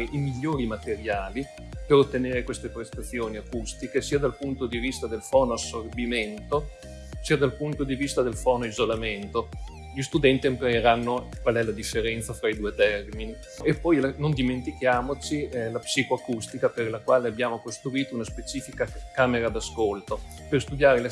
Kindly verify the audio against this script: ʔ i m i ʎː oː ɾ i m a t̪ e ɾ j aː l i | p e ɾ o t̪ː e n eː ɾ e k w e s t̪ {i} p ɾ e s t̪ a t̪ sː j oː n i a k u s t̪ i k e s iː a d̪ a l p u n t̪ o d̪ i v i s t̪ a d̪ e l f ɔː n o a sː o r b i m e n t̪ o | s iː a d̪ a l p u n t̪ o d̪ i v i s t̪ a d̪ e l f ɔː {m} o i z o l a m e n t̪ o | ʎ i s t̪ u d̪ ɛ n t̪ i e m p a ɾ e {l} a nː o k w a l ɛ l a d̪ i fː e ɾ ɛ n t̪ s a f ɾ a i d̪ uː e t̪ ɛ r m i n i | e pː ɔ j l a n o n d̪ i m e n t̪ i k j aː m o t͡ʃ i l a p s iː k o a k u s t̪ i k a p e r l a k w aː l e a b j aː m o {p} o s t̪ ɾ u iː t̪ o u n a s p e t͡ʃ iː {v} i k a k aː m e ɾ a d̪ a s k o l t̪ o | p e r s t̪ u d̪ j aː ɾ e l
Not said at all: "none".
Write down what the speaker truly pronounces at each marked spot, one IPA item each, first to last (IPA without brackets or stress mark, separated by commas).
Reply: e, n, ɾ, k, f